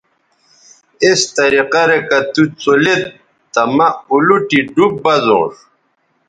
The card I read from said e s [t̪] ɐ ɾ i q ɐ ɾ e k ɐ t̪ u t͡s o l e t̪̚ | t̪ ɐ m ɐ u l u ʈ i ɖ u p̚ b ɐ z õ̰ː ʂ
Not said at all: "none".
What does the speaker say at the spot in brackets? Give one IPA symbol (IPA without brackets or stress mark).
t̪